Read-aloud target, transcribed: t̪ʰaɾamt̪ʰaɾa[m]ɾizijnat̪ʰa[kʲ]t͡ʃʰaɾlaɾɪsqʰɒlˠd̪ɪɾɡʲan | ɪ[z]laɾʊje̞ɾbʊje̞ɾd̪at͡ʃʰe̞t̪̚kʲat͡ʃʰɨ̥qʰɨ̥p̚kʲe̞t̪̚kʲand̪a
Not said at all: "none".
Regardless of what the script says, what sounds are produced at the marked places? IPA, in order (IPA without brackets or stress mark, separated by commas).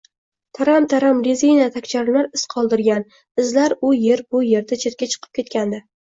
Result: m, kʲ, z